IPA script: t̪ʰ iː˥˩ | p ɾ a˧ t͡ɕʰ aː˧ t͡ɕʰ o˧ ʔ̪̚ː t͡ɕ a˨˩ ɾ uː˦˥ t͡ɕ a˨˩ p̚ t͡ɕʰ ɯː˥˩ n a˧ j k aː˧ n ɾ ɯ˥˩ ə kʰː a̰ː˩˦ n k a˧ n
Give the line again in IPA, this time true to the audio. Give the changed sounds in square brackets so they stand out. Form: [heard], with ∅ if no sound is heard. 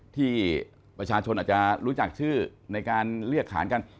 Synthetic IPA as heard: t̪ʰ iː˥˩ | p ɾ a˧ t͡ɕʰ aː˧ t͡ɕʰ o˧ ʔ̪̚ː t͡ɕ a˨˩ ɾ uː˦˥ t͡ɕ a˨˩ [k̚] t͡ɕʰ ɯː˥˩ n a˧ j k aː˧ n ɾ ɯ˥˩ ə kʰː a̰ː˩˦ n k a˧ n